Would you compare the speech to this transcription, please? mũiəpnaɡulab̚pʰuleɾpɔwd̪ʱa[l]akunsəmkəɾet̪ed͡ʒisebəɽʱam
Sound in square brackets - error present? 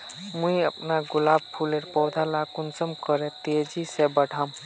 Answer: no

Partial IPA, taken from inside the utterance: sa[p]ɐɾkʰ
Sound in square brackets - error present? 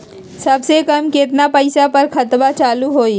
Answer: no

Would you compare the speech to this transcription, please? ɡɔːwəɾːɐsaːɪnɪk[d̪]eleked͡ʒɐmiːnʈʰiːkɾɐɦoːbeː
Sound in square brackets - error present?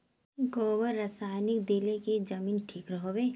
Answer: no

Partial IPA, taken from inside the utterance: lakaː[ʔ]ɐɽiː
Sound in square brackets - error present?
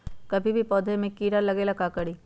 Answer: yes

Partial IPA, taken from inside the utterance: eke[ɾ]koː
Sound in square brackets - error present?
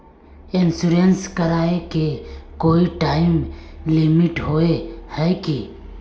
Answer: yes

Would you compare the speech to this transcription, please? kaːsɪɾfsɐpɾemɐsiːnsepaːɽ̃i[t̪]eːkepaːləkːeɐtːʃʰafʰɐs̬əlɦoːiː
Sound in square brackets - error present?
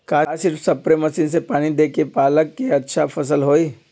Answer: yes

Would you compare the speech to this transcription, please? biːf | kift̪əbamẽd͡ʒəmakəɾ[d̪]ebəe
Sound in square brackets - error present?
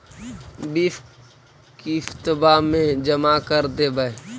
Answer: no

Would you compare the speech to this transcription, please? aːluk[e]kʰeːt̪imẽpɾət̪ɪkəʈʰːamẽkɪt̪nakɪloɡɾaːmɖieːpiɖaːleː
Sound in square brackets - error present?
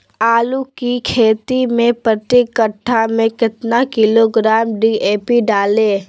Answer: yes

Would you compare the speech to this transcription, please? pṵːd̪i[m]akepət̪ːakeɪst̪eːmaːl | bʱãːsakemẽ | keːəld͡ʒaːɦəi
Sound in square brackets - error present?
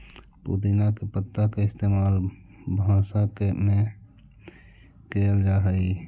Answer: yes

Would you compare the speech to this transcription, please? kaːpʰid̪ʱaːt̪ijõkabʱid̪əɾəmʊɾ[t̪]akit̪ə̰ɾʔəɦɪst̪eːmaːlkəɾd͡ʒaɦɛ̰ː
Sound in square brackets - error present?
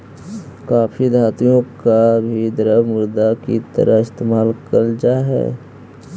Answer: yes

